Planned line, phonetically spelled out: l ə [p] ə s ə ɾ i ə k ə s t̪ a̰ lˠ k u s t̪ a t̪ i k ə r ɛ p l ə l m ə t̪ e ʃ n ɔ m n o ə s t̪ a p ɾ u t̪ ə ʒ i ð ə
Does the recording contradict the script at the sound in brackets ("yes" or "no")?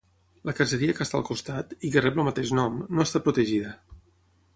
yes